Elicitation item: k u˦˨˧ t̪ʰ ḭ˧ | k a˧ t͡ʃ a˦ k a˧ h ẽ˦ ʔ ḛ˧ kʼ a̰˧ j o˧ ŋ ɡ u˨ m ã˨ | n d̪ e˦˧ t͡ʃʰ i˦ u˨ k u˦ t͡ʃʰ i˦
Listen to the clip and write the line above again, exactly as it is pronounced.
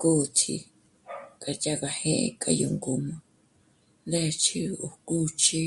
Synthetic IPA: k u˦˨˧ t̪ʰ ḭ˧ | k a˧ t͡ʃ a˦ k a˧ h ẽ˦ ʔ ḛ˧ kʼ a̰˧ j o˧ ŋ ɡ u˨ m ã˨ | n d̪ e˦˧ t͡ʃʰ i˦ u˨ k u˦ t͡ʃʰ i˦